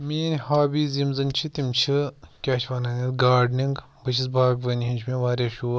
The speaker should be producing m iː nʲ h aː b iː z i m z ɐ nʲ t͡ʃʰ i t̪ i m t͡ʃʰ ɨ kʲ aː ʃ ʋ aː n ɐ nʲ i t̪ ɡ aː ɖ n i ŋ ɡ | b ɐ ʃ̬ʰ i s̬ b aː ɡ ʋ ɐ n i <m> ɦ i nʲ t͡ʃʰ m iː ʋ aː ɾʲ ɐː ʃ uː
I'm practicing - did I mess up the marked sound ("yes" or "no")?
yes